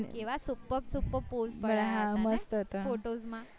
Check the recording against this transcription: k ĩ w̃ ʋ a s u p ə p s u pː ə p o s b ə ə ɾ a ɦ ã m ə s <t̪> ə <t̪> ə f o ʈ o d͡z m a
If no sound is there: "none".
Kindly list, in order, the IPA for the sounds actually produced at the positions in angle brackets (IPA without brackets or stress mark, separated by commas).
t̪, t̪